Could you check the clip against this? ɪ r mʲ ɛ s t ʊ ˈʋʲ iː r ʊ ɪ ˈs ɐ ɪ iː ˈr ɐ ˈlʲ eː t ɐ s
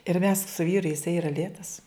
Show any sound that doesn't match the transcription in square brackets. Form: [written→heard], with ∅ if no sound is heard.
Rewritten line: ɪ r mʲ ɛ s [t→s] ʊ ˈʋʲ iː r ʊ ɪ ˈs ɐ ɪ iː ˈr ɐ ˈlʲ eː t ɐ s